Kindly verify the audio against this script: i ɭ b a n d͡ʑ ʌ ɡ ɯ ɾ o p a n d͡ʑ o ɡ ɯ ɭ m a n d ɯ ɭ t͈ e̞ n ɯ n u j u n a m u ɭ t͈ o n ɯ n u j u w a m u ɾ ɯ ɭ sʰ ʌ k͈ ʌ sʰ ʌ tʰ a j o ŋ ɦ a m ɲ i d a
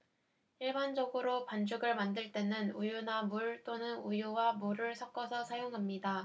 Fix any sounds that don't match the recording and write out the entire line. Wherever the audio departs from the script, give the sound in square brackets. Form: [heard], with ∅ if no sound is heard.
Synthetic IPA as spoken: i ɭ b a n d͡ʑ ʌ ɡ ɯ ɾ o p a n d͡ʑ [u] ɡ ɯ ɭ m a n d ɯ ɭ t͈ e̞ n ɯ n u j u n a m u ɭ t͈ o n ɯ n u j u w a m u ɾ ɯ ɭ sʰ ʌ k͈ ʌ sʰ ʌ [sʰ] a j o ŋ ɦ a m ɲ i d a